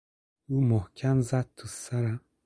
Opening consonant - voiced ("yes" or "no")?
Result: yes